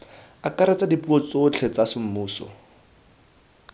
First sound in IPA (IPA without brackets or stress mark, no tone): a